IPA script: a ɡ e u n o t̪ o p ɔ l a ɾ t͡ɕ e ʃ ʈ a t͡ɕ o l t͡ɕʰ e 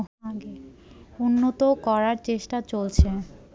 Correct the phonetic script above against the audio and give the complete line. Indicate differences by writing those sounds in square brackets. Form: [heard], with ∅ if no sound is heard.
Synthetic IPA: a ɡ e u [nː] o t̪ o [k] ɔ [ɾ] a ɾ t͡ɕ e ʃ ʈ a t͡ɕ o l t͡ɕʰ e